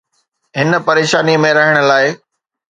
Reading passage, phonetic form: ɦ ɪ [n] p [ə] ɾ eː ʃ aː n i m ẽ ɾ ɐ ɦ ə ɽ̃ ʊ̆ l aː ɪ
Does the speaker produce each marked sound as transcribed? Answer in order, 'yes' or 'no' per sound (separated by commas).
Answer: yes, no